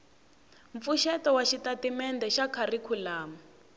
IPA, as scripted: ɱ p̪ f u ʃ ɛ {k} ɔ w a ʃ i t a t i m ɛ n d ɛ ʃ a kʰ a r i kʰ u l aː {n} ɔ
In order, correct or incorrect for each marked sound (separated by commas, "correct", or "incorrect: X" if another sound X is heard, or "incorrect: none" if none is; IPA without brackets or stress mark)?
incorrect: t, incorrect: m